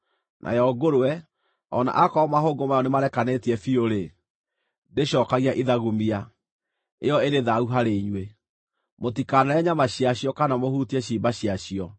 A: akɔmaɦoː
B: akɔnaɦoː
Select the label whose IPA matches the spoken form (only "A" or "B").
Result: A